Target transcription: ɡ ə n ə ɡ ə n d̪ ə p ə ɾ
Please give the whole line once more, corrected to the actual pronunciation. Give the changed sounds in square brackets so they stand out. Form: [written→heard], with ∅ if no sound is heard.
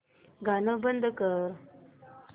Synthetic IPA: ɡ [ə→a] n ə [ɡ→b] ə n d̪ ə [p→k] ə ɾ